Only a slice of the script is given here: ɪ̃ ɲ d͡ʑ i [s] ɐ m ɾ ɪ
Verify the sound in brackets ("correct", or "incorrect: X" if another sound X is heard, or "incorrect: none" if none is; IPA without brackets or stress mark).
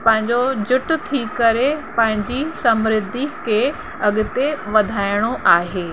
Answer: correct